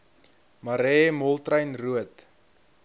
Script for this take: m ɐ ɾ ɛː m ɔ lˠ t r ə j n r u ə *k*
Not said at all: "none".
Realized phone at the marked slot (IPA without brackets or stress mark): t